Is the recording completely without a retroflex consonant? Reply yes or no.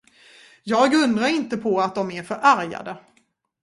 yes